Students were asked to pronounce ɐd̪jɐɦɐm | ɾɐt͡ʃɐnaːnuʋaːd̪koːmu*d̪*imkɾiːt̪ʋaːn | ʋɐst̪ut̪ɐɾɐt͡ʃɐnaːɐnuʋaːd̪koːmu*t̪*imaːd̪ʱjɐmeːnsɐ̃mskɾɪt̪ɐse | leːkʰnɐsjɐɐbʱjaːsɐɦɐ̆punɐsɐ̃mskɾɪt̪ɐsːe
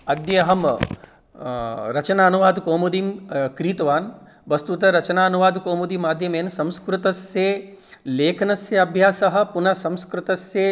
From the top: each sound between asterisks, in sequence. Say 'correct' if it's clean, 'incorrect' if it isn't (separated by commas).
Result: correct, incorrect